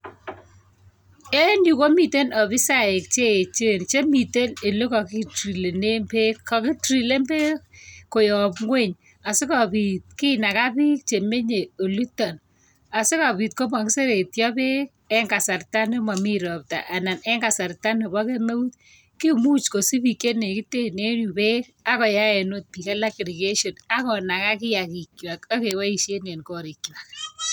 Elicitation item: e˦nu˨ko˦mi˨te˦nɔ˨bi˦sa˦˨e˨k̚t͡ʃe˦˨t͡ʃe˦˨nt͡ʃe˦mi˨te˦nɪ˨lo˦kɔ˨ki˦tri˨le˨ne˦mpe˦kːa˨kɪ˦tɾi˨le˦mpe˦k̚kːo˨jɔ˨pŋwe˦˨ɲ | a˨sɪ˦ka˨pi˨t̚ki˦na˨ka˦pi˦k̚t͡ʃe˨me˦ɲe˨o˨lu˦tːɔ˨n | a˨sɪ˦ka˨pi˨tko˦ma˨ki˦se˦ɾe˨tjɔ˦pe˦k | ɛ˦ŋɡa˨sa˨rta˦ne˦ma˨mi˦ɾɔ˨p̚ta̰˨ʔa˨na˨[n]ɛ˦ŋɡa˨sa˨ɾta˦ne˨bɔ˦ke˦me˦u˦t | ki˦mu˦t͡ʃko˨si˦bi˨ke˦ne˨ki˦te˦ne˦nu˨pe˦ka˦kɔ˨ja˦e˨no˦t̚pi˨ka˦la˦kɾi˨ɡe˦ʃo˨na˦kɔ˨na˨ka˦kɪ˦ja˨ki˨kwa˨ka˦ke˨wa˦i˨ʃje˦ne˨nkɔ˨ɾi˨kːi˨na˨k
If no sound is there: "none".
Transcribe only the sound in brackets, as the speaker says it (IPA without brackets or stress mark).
n